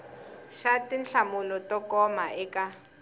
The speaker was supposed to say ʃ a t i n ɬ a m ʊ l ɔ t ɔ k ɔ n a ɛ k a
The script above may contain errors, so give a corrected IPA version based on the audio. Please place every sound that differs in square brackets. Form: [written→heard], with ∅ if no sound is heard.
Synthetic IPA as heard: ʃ a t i n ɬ a m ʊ l ɔ t ɔ k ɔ [n→m] a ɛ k a